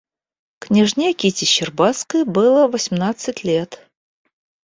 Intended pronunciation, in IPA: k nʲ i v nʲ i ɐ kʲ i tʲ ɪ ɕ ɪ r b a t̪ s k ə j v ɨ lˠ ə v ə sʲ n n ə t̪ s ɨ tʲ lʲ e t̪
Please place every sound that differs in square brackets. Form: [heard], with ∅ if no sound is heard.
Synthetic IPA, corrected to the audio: k nʲ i [ʐ] nʲ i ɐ kʲ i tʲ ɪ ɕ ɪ r b a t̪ s k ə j [b] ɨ lˠ ə v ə sʲ [m] n [a] t̪ s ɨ tʲ lʲ e t̪